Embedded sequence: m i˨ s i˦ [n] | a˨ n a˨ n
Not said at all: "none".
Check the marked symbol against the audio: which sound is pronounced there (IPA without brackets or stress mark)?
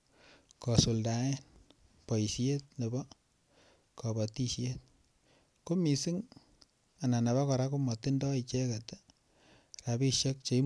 ŋ